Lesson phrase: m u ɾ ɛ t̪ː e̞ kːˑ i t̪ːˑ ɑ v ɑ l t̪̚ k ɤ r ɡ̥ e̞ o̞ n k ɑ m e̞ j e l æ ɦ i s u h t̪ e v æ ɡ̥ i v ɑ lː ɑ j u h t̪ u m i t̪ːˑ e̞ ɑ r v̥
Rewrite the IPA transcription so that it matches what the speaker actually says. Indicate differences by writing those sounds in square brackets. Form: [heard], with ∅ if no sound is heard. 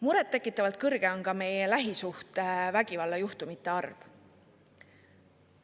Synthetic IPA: m u ɾ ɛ t̪ː e̞ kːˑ i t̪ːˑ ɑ v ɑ l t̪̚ k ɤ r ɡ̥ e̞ o̞ n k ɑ m e̞ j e l æ ɦ i s u h t̪ e v æ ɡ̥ i v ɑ lː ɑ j u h t̪ u m i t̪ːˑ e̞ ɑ r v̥